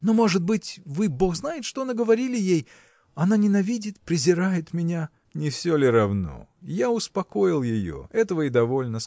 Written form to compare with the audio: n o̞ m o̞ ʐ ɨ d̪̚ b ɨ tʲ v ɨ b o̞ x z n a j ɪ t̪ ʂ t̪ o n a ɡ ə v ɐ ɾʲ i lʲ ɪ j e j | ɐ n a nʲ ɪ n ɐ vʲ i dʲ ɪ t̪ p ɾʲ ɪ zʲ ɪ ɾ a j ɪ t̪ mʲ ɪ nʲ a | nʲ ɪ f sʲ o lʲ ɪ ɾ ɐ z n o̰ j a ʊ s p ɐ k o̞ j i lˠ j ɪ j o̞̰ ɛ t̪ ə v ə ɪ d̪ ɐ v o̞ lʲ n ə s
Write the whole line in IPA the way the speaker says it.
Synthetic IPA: n o̞ m o̞ ʐ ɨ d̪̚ b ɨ tʲ v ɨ b o̞ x z n a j ɪ t̪ ʂ t̪ o n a ɡ ə v ɐ ɾʲ i lʲ ɪ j e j | ɐ n a nʲ ɪ n ɐ vʲ i dʲ ɪ t̪ p ɾʲ ɪ zʲ ɪ ɾ a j ɪ t̪ mʲ ɪ nʲ a | nʲ ɪ f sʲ o lʲ ɪ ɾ ɐ v n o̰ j a ʊ s p ɐ k o̞ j ɪ lˠ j ɪ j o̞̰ ɛ t̪ ə v ə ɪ d̪ ɐ v o̞ lʲ n ə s